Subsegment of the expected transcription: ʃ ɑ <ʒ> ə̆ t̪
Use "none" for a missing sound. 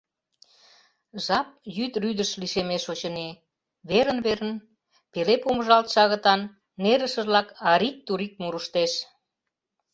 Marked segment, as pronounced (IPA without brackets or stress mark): ɣ